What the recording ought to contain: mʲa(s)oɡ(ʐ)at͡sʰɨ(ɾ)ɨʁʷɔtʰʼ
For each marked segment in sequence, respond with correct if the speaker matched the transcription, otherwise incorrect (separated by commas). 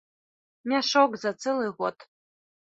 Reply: incorrect, incorrect, incorrect